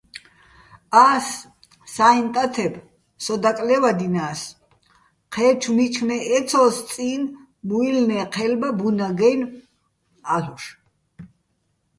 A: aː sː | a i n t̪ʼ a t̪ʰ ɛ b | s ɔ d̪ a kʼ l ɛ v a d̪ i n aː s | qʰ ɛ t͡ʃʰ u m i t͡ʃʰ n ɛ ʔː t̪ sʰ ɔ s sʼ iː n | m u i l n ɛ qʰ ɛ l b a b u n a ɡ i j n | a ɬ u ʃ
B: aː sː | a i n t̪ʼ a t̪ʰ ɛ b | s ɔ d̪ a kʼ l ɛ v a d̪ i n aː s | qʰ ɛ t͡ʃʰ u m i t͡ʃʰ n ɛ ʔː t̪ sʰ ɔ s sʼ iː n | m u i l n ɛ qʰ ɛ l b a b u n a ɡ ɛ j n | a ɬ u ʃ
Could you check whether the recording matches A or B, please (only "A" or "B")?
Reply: B